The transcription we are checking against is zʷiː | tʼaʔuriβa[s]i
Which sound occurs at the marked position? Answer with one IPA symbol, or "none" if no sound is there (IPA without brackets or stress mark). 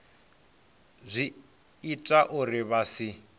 s